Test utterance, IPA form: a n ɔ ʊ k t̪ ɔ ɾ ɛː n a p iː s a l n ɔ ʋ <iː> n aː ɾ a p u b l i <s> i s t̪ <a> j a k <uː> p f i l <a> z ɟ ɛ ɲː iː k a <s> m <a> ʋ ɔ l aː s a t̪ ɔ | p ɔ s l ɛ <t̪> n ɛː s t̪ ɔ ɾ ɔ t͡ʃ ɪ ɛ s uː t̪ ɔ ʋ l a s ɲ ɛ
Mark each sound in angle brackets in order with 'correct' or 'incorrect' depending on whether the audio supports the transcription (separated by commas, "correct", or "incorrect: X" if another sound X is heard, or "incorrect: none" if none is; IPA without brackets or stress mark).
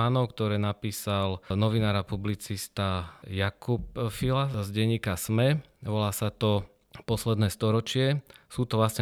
incorrect: i, incorrect: t͡s, correct, incorrect: u, correct, correct, incorrect: ɛ, incorrect: d̪